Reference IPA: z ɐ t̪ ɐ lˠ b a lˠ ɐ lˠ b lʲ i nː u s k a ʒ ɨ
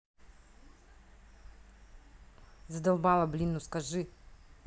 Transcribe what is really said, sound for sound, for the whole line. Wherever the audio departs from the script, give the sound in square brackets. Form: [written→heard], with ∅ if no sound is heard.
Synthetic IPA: z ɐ [t̪→d̪] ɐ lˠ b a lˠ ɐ [lˠ→∅] b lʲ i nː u s k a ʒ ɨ